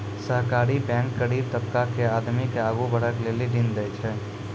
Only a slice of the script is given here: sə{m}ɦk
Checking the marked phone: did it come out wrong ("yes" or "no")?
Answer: yes